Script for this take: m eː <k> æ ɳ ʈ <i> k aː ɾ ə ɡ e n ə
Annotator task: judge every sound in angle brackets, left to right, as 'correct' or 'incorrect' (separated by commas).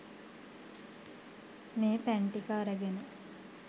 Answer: incorrect, correct